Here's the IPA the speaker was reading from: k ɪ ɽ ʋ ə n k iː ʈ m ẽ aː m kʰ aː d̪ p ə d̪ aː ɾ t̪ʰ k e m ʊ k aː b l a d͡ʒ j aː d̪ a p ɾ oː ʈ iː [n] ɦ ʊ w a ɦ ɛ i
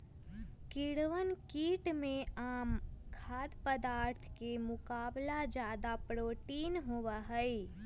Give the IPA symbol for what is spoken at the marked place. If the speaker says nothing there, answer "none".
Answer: n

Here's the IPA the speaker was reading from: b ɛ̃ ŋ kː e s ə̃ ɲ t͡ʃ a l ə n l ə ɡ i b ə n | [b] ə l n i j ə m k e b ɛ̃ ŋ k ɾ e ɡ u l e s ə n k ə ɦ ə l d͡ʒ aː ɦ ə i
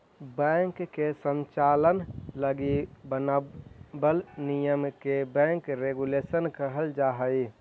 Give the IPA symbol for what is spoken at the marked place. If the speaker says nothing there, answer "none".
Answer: b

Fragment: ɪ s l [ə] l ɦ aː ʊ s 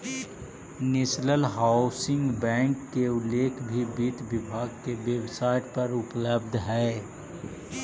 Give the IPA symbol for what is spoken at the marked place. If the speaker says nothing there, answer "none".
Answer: ə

